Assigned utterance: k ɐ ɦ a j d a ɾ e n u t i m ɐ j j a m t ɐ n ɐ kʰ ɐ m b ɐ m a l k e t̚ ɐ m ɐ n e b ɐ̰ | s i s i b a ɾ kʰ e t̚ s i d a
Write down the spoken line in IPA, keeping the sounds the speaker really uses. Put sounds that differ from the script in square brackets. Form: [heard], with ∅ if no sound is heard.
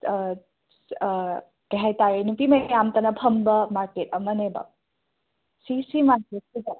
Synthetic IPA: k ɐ ɦ a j [t] a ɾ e n u [p] i m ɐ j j a m t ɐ n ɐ [pʰ] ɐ m b ɐ m a [ɾ] k e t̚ ɐ m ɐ n e b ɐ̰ | s i s i [m] a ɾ [k] e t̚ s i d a

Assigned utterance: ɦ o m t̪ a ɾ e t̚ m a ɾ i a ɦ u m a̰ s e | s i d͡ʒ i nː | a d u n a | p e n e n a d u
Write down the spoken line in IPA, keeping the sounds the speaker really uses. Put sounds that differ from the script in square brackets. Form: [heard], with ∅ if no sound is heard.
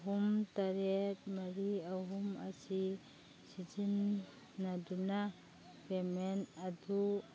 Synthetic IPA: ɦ [u] m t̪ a ɾ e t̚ m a ɾ i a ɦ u m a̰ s [i] | s i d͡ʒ i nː | a d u n a | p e [m] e n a d u

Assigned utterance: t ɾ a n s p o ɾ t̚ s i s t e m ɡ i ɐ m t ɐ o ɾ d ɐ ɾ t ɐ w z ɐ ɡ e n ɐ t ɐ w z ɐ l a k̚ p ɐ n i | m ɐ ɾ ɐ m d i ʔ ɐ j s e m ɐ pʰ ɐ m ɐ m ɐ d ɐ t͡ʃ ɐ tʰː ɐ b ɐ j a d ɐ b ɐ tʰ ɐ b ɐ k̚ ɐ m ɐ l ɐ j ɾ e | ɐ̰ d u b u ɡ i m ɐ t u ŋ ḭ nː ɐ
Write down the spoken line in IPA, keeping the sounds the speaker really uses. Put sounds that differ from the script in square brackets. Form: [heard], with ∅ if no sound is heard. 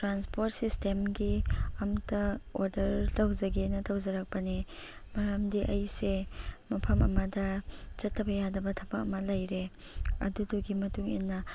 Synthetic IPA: t ɾ a n s p o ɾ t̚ s i s t e m ɡ i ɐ m t ɐ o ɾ d ɐ ɾ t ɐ w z ɐ ɡ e n ɐ t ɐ w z ɐ [ɾ] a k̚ p ɐ n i | m ɐ ɾ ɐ m d i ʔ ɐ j s e m ɐ pʰ ɐ m ɐ m ɐ d ɐ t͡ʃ ɐ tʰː ɐ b ɐ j a d ɐ b ɐ tʰ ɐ b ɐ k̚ ɐ m ɐ l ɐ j ɾ e | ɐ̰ d u [d] u ɡ i m ɐ t u ŋ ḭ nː ɐ

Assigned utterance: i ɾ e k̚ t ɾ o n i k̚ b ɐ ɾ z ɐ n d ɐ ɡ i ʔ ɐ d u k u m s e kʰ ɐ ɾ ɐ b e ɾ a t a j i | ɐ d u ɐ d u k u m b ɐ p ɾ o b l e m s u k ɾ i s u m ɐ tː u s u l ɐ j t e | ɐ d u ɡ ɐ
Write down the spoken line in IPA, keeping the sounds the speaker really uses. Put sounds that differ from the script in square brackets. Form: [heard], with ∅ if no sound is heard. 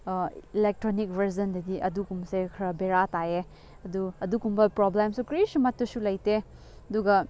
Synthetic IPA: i [l] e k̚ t ɾ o n i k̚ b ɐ ɾ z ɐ n d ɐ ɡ i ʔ ɐ d u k u m s e kʰ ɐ ɾ ɐ b e ɾ a t a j [e] | ɐ d u ɐ d u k u m b ɐ p ɾ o b l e m s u k ɾ i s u m ɐ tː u s u l ɐ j t e | ɐ d u ɡ ɐ

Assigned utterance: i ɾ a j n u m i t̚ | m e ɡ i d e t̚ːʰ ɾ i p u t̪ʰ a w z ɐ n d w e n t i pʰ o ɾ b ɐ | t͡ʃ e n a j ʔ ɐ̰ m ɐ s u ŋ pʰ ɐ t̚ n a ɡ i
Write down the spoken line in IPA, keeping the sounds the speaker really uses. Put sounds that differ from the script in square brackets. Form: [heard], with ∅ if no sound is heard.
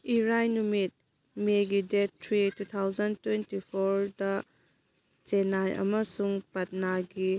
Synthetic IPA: i ɾ a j n u m i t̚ | m e ɡ i d e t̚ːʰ ɾ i [t] u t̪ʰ a w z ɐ n [t] w e n t i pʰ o ɾ [d] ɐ | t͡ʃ e n a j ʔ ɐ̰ m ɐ s u ŋ [p] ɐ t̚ n a ɡ i

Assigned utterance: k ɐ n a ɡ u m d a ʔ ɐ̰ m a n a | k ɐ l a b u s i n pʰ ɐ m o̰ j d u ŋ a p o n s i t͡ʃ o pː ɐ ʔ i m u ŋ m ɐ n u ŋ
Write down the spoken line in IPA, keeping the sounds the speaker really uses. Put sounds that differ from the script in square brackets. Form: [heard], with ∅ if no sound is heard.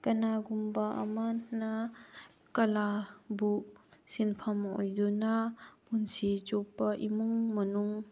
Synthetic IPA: k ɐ n a ɡ u m [b] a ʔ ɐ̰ m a n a | k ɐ l a b u s i n pʰ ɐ m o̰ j d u [n] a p [u] n s i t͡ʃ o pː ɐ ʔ i m u ŋ m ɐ n u ŋ

